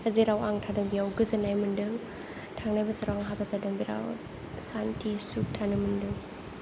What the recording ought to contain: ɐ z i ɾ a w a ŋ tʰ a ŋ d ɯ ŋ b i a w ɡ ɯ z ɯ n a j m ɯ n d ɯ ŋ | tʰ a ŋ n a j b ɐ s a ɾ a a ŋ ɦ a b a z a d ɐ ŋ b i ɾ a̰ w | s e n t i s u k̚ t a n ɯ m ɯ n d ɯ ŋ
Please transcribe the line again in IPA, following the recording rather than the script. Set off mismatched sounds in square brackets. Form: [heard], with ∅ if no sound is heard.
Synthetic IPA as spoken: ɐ z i ɾ a w a ŋ tʰ a [∅] d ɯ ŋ b i a w ɡ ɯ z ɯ n a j m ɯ n d ɯ ŋ | tʰ a ŋ n a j b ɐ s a ɾ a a ŋ ɦ a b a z a d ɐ ŋ b i ɾ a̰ w | s [a] n t i s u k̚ [tʰ] a n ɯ m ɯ n d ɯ ŋ